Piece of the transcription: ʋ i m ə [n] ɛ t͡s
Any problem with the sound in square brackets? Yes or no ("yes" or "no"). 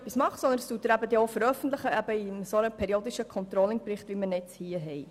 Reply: no